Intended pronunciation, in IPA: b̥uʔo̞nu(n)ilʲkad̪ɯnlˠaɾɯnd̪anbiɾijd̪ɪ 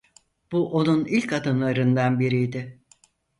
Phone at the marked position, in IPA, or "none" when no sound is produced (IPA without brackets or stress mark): n